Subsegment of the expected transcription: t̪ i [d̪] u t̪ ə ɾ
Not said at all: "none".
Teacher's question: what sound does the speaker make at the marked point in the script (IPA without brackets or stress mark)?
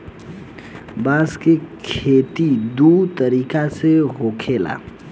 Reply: d̪